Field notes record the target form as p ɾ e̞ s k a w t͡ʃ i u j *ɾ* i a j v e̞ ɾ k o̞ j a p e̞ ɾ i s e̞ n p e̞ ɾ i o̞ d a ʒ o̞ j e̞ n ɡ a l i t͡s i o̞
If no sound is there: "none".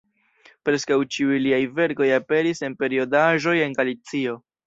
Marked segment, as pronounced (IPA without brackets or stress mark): l